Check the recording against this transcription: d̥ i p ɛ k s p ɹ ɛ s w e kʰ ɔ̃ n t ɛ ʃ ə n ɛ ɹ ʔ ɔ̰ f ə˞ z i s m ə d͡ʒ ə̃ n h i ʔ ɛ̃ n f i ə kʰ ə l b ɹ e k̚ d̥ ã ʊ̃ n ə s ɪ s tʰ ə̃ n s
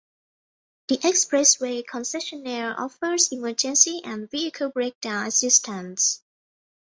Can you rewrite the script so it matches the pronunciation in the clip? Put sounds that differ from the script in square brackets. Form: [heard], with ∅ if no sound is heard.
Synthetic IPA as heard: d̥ i [ʔ] ɛ k s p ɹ ɛ s w e kʰ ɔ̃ n [s] ɛ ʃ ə n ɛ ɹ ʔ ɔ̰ f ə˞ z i [∅] m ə d͡ʒ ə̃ n [s] i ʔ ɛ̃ n [v] i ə kʰ ə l b ɹ e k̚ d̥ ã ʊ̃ n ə s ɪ s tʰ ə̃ n s

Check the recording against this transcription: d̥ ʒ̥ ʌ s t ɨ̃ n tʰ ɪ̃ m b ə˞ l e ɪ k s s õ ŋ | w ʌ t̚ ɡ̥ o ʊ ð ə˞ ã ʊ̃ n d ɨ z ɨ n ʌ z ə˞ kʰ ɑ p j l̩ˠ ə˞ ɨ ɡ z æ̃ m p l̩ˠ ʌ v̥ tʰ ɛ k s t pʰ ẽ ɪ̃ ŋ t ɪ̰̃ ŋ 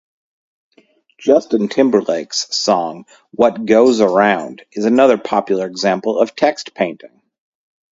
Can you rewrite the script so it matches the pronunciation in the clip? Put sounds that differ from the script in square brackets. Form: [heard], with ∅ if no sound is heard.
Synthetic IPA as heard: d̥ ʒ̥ ʌ s t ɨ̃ n tʰ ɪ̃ m b ə˞ l e ɪ k s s [ɔ̃] ŋ | w ʌ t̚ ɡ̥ o ʊ [z] ə˞ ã ʊ̃ n d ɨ z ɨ n ʌ [ð] ə˞ [pʰ] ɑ p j l̩ˠ ə˞ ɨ ɡ z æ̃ m p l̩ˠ ʌ v̥ tʰ ɛ k s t pʰ ẽ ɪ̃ [n] t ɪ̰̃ ŋ

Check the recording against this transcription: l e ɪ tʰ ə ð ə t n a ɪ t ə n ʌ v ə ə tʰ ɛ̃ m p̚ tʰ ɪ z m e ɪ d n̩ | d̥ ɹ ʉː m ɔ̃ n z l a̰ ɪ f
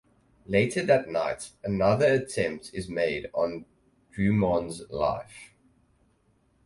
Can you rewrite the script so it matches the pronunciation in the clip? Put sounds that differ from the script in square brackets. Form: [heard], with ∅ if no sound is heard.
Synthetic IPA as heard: l e ɪ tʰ ə ð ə t n a ɪ t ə n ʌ [ð] ə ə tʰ ɛ̃ m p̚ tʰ ɪ z m e ɪ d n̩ | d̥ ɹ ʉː m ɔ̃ n z l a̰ ɪ f

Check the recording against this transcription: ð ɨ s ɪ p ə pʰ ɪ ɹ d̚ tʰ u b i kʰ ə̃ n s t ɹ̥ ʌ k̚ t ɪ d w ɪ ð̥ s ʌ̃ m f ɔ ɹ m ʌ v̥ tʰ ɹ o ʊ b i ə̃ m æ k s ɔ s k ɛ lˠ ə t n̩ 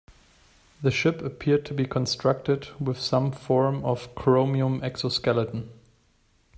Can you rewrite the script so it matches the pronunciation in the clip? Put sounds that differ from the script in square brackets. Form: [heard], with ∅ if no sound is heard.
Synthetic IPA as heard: ð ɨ [ʃ] ɪ p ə pʰ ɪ ɹ d̚ tʰ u b i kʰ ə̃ n s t ɹ̥ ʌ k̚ t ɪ d w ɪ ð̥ s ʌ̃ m f ɔ ɹ m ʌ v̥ [kʰ] ɹ o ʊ [m] i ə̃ m [ɛ] k s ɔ s k ɛ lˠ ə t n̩

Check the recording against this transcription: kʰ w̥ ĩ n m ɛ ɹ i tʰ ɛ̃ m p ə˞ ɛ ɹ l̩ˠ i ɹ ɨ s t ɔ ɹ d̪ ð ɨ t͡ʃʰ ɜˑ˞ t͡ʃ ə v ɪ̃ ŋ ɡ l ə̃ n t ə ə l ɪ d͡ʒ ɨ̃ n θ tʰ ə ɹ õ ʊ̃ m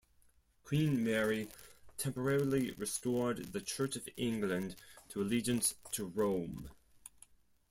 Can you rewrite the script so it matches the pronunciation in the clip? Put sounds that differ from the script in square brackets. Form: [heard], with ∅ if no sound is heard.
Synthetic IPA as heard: kʰ w̥ ĩ n m ɛ ɹ i tʰ ɛ̃ m p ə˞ ɛ ɹ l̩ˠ i ɹ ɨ s t ɔ ɹ d̪ ð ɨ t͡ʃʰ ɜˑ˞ t͡ʃ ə v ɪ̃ ŋ ɡ l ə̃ n [tʰ] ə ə l [i] d͡ʒ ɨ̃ n [s] tʰ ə ɹ õ ʊ̃ m

